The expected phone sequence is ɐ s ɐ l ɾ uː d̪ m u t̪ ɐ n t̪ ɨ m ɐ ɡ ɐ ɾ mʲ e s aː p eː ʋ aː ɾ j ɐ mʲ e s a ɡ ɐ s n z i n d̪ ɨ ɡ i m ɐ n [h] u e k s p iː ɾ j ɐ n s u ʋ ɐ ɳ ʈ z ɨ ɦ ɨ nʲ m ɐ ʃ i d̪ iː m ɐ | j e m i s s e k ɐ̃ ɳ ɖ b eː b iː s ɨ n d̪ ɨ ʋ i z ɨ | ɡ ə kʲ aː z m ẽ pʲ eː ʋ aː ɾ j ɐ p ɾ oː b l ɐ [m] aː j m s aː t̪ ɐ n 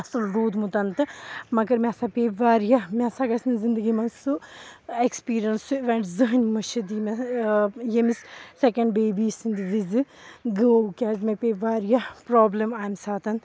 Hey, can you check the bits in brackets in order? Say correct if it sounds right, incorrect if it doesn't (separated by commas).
incorrect, correct